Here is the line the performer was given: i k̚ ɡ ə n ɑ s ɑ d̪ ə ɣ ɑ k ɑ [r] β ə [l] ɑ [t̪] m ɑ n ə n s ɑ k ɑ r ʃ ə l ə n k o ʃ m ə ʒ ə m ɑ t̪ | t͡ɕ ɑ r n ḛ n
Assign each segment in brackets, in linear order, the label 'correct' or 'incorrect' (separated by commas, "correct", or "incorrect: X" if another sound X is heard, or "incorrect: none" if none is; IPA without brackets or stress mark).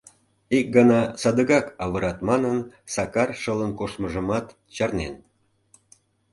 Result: incorrect: none, incorrect: ɾ, correct